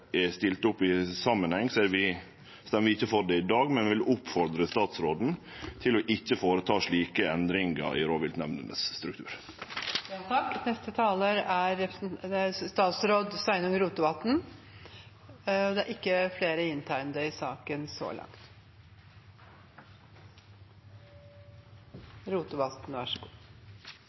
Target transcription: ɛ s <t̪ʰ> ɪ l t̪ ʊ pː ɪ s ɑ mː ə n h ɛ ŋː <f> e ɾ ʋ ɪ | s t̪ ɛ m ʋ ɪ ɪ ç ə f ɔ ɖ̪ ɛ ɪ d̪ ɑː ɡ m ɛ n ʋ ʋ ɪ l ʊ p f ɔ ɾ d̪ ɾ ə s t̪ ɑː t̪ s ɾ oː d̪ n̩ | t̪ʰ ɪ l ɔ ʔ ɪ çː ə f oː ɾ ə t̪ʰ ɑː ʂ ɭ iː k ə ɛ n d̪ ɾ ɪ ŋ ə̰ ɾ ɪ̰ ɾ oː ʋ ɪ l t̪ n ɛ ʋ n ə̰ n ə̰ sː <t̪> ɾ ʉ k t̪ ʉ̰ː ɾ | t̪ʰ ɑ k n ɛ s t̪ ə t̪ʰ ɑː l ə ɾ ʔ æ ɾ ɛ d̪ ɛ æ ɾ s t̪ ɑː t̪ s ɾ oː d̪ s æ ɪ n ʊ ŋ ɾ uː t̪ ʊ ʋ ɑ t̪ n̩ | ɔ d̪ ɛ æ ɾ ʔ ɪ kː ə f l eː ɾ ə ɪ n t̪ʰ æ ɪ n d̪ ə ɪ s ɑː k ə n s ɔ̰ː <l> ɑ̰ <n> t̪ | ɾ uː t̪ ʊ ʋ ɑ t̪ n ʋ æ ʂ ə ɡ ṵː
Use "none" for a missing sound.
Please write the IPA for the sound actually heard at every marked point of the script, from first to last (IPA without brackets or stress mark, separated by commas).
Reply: t̪, s, t̪, l, ŋ